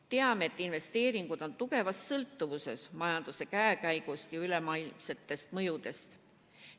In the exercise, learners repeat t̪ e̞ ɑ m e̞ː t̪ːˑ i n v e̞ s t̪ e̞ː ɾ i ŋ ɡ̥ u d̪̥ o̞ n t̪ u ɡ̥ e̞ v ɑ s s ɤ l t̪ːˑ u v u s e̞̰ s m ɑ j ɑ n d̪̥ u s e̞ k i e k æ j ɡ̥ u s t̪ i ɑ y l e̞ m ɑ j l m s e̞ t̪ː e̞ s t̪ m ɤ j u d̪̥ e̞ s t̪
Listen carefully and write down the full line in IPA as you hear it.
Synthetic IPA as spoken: t̪ e̞ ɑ m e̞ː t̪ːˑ i n v e̞ s t̪ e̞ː ɾ i ŋ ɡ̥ u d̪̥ o̞ n t̪ u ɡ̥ e̞ v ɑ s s ɤ l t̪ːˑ u v u s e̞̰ s m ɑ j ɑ n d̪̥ u s e̞ k æ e k æ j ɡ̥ u s t̪ j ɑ y l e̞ m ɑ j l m s e̞ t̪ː e̞ s t̪ m ɤ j u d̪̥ e̞ s t̪